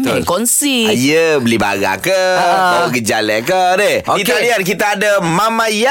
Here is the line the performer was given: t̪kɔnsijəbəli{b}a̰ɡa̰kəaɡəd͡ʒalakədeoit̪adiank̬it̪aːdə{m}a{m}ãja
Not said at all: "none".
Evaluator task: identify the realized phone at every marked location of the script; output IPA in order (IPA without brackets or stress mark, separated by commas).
b, m, m